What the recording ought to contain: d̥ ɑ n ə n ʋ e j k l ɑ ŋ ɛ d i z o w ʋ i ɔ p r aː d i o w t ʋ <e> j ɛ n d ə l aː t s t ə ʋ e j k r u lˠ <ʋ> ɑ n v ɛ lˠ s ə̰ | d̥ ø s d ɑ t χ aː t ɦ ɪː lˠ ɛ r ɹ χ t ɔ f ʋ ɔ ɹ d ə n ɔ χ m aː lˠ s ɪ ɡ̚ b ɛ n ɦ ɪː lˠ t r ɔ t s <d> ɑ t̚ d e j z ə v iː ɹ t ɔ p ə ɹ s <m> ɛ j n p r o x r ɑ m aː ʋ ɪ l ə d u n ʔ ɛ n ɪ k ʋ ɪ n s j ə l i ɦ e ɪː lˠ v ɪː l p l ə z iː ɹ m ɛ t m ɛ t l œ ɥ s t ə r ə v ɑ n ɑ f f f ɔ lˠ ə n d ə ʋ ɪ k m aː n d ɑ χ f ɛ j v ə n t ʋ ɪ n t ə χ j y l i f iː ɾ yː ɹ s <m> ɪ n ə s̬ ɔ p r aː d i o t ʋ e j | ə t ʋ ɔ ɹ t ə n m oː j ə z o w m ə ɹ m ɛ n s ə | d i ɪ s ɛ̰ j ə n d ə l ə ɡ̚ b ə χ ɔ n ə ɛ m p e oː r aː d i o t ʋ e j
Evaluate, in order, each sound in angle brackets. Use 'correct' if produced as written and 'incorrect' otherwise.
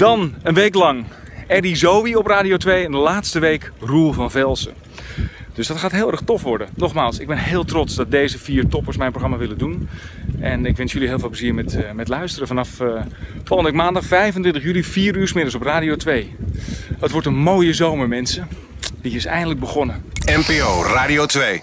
correct, incorrect, correct, correct, correct

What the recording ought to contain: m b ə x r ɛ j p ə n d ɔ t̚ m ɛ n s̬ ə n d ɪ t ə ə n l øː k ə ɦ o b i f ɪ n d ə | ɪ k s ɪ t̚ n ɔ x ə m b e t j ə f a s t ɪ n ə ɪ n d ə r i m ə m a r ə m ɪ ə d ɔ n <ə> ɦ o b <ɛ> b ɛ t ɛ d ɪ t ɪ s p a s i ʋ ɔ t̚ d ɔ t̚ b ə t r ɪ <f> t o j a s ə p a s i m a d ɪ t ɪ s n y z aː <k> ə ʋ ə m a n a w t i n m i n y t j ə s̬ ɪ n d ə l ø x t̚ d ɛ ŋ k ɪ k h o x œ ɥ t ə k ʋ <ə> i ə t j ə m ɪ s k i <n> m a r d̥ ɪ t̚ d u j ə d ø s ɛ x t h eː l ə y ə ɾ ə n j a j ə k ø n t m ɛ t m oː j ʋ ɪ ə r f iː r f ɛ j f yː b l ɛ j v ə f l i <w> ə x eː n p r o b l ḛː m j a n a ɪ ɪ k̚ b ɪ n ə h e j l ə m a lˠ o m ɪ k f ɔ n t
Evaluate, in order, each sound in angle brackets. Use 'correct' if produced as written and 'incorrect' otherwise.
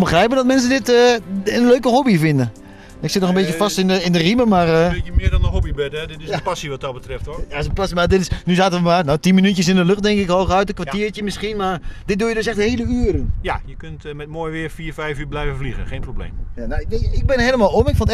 correct, incorrect, correct, incorrect, incorrect, correct, incorrect

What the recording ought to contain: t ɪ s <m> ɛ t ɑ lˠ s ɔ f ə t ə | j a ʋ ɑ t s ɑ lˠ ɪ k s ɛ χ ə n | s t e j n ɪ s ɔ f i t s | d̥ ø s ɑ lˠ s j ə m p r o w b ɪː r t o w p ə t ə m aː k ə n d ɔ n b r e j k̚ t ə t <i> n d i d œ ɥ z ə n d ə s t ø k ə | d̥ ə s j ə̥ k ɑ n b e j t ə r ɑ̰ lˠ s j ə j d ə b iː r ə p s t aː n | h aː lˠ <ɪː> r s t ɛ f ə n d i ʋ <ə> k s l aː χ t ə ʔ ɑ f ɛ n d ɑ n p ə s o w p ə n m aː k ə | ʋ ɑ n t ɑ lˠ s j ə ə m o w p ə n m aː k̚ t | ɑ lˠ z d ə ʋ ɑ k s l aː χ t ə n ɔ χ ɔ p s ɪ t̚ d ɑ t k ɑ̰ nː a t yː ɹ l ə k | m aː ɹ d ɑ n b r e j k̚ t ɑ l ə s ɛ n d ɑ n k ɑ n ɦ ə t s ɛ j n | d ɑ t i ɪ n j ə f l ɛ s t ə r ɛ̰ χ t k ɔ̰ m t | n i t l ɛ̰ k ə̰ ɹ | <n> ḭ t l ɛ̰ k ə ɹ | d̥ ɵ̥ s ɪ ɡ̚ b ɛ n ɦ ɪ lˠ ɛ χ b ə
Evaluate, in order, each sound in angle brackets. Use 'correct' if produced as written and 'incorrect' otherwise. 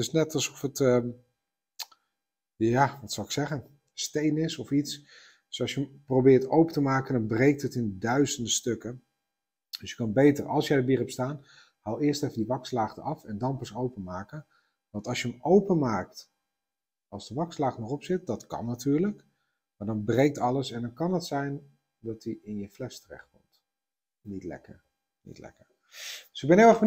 incorrect, incorrect, correct, incorrect, correct

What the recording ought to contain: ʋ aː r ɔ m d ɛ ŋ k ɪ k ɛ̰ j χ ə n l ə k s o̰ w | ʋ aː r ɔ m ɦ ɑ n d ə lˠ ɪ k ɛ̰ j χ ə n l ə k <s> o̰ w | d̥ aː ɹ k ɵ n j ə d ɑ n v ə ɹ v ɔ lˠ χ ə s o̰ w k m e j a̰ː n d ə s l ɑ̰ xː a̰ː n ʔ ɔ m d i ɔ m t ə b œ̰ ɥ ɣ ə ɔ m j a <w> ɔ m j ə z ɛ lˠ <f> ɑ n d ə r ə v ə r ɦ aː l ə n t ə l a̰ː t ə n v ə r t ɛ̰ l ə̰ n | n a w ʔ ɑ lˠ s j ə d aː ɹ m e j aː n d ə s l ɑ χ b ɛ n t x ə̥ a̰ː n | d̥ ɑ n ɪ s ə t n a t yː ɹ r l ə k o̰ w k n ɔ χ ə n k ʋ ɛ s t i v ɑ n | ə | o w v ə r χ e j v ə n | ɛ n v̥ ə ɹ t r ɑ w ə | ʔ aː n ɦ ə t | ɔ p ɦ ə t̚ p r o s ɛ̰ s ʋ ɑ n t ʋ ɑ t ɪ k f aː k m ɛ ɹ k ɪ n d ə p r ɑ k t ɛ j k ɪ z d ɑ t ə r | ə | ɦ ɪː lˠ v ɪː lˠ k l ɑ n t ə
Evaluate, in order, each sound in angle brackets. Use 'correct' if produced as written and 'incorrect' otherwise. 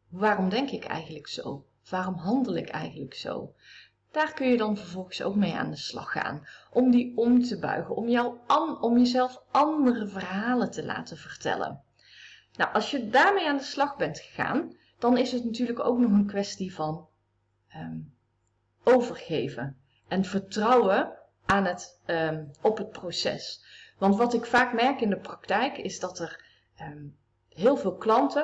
correct, correct, correct

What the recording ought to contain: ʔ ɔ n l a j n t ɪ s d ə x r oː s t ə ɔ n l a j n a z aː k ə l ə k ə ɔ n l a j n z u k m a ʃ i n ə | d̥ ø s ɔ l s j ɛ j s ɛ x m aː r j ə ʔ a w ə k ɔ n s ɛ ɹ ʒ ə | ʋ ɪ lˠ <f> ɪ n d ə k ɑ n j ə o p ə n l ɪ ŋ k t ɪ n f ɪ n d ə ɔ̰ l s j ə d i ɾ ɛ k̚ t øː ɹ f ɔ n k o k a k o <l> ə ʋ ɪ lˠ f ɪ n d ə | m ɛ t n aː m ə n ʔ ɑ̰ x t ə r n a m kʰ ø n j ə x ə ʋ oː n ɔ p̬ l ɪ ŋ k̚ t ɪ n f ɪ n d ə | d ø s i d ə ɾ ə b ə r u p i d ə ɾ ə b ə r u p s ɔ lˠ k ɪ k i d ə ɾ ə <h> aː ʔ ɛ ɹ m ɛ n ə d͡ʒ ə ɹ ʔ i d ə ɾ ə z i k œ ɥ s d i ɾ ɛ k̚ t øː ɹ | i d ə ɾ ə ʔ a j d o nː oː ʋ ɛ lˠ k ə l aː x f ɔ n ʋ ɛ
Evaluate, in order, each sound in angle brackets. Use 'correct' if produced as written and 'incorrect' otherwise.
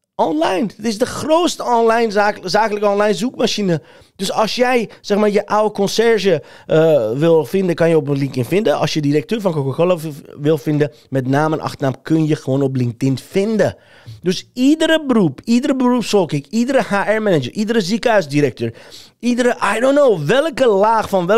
correct, correct, correct

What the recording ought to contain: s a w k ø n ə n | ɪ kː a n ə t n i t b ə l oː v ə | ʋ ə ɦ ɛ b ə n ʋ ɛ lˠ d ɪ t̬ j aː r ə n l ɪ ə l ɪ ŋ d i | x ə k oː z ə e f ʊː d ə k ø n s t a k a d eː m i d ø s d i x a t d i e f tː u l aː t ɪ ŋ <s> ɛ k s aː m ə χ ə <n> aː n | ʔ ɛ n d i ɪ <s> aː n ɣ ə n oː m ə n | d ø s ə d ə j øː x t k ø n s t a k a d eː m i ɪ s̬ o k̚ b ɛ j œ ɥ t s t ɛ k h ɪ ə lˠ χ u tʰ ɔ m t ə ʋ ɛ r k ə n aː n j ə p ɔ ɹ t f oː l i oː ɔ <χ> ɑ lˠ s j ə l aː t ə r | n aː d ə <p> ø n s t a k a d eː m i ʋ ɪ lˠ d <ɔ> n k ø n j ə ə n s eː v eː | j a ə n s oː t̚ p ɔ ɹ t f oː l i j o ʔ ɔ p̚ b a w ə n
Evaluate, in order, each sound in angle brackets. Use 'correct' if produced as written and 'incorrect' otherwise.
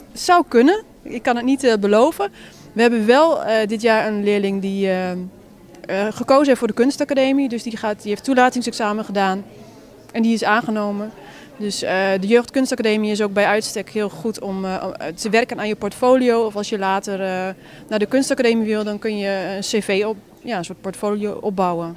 correct, incorrect, correct, incorrect, incorrect, correct

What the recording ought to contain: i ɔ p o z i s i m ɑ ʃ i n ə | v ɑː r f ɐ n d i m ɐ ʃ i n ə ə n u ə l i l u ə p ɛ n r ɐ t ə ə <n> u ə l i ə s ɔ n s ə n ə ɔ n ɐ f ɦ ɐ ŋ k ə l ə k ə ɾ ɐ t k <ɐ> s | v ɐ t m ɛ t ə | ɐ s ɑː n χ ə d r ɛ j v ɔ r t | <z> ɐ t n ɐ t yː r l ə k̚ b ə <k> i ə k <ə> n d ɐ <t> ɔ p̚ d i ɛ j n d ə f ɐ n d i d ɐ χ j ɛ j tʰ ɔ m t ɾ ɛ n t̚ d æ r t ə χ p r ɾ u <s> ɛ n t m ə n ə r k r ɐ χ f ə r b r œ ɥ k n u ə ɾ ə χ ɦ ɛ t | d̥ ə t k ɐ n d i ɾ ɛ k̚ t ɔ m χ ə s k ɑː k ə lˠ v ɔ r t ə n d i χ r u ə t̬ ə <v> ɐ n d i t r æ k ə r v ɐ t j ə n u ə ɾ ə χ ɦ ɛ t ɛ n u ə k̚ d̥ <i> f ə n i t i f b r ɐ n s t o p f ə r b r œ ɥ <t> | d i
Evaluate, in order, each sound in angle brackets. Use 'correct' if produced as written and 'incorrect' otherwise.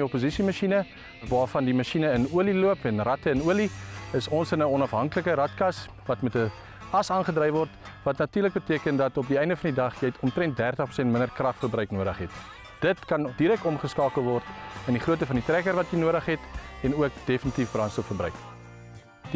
correct, correct, incorrect, incorrect, correct, correct, correct, incorrect, incorrect, incorrect

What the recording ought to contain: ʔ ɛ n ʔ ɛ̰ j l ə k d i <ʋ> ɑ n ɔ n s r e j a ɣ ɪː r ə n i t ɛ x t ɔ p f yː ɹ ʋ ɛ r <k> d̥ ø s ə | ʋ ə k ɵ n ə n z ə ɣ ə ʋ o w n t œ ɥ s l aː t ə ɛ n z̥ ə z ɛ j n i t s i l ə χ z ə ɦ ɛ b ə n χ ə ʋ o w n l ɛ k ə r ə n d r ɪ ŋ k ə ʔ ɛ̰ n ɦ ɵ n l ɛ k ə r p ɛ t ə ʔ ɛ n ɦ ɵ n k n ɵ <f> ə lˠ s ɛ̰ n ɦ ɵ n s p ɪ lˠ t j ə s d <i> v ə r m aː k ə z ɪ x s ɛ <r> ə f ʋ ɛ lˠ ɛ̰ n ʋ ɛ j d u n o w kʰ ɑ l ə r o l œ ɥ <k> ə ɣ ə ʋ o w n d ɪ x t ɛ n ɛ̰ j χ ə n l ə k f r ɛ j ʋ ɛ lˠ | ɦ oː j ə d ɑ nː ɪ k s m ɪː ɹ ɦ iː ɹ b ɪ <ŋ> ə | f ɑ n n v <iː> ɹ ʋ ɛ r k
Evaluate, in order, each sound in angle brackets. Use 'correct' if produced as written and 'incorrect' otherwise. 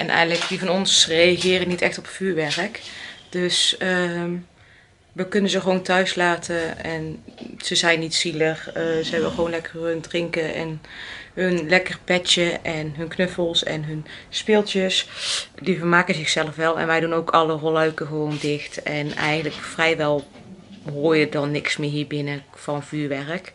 incorrect, correct, correct, correct, incorrect, correct, incorrect, incorrect

